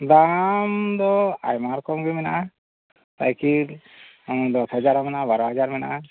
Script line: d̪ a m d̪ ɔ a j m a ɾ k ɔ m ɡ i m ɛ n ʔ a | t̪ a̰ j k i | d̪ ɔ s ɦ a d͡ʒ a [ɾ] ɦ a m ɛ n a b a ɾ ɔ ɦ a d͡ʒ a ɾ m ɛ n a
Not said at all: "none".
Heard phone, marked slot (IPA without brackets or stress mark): ɾ